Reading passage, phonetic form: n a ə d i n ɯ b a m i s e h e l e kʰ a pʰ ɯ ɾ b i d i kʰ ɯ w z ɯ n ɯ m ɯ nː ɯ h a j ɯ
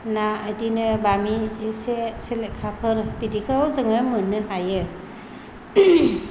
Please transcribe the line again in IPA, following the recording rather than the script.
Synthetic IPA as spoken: n a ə d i n ɯ b a m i s e s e l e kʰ a pʰ ɯ ɾ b i d i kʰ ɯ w z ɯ ŋ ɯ m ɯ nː ɯ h a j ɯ